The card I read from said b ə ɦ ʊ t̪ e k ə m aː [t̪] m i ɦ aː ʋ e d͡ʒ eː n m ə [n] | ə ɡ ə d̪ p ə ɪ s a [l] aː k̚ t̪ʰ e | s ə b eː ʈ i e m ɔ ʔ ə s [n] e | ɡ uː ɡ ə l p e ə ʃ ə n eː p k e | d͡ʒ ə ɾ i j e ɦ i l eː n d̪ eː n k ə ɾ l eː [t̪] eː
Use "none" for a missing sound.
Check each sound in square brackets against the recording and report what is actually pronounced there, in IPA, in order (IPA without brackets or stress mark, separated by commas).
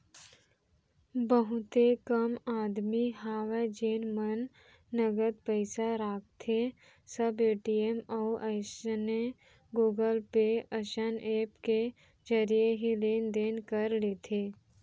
d̪, nː, ɾ, n, t̪ʰ